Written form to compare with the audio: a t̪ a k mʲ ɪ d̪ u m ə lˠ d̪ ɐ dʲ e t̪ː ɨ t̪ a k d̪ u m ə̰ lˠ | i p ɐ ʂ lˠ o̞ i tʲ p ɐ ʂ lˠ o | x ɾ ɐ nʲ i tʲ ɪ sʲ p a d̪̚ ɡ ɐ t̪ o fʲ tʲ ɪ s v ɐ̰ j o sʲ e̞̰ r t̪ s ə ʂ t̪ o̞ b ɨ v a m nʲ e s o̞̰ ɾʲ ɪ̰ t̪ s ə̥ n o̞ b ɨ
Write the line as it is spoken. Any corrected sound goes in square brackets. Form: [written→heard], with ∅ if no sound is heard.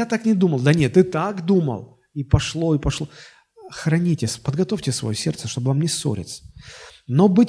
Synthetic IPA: a t̪ a k [mʲ→nʲ] ɪ d̪ u m ə lˠ d̪ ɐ [dʲ→nʲ] e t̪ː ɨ t̪ a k d̪ u m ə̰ lˠ | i p ɐ ʂ lˠ o̞ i [tʲ→∅] p ɐ ʂ lˠ o | x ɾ ɐ nʲ i tʲ ɪ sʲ p [a→ə] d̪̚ ɡ ɐ t̪ o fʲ tʲ ɪ s v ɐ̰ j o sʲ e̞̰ r t̪ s ə ʂ t̪ o̞ b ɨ v a m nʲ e s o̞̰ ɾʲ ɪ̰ t̪ s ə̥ n o̞ b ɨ